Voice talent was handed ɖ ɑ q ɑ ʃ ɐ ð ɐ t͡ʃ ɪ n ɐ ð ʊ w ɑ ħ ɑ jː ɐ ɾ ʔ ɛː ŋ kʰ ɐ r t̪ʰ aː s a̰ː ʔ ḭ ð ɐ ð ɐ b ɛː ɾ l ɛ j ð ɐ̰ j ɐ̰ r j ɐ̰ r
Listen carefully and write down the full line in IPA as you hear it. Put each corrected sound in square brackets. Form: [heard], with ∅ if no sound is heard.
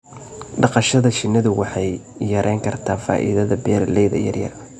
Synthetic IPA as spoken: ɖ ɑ q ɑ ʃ ɐ ð ɐ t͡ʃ ɪ n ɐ ð ʊ w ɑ ħ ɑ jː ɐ ɾ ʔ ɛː ŋ kʰ ɐ r t̪ʰ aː [f] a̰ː ʔ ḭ ð ɐ ð ɐ b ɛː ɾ l ɛ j ð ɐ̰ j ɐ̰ r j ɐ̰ r